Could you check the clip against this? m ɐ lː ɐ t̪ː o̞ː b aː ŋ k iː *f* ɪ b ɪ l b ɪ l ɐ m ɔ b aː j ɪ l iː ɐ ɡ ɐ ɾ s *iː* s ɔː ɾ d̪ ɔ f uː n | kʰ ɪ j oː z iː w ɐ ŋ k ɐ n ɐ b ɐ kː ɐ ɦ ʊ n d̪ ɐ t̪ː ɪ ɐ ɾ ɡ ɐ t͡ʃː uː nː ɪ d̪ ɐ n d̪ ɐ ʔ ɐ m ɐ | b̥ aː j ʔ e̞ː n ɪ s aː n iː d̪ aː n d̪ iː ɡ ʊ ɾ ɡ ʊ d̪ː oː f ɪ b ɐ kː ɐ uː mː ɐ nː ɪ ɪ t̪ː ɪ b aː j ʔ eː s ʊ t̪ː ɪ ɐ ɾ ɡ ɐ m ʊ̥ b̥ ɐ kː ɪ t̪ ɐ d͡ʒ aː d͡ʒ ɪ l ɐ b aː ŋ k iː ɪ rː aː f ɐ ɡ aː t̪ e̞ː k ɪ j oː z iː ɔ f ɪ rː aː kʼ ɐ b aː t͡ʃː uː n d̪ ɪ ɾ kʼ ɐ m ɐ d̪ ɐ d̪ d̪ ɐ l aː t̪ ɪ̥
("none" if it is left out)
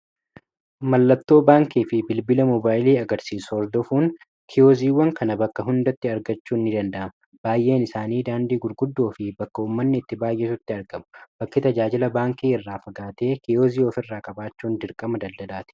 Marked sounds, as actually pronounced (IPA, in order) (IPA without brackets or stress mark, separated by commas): f, iː